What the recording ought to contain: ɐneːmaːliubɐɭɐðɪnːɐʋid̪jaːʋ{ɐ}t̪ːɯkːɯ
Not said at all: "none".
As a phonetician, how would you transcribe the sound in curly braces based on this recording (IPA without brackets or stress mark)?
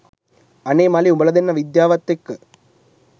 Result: ɐ